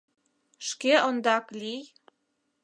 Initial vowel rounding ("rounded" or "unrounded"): unrounded